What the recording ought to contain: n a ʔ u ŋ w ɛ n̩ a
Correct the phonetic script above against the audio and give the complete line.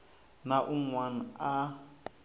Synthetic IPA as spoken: n a ʔ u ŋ w a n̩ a